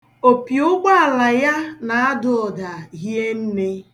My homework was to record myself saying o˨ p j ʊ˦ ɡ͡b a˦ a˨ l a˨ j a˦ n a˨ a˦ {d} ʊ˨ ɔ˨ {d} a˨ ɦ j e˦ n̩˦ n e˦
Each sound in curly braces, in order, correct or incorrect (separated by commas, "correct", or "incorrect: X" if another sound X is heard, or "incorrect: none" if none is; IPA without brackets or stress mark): correct, correct